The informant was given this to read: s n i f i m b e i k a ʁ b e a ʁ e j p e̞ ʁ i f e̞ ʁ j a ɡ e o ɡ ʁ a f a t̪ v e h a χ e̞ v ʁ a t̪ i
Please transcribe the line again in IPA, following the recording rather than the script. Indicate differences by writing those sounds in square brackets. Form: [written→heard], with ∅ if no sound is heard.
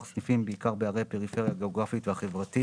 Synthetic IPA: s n i f i m b e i k a ʁ b e a ʁ e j p e̞ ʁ i f e̞ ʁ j a ɡ e o ɡ ʁ a f [a→i] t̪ v e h a χ e̞ v ʁ a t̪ i

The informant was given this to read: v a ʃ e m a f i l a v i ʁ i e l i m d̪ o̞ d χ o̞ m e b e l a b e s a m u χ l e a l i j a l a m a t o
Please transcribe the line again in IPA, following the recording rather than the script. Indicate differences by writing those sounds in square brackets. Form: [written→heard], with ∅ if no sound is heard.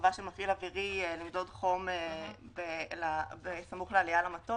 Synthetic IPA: v a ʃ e m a f i l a v i ʁ i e l i m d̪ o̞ d χ o̞ m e b e l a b e s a m u χ l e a l i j a l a m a t o

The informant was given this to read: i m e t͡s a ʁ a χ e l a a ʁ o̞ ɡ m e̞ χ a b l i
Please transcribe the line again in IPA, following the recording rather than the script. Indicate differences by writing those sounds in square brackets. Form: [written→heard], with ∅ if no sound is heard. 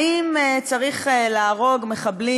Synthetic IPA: i m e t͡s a ʁ [a→i] χ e l a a ʁ o̞ ɡ m e̞ χ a b l i

